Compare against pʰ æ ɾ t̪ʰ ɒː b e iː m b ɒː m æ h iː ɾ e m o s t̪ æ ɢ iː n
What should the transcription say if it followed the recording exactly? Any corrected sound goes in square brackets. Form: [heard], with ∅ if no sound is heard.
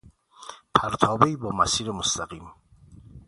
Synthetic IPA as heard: pʰ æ ɾ t̪ʰ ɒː b e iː [∅] b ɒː m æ [s] iː ɾ e m o s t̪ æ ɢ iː [m]